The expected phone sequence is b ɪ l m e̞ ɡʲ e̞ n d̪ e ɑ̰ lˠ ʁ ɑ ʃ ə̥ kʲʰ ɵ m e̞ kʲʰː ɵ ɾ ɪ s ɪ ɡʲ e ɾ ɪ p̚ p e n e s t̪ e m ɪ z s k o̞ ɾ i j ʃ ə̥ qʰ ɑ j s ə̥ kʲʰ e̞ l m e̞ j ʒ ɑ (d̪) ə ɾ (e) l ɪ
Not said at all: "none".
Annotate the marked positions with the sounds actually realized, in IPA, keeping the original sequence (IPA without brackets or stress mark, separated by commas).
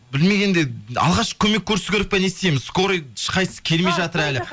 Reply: t̪, æ